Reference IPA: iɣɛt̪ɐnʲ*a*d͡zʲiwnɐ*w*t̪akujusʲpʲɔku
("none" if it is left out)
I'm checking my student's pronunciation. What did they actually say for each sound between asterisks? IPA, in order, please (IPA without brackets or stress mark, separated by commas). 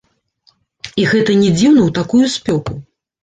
ɛ, w